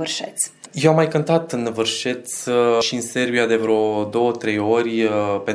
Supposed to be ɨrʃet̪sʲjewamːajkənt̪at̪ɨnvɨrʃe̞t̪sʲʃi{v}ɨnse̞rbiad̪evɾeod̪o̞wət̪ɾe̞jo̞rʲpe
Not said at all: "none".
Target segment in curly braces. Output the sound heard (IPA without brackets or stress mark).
none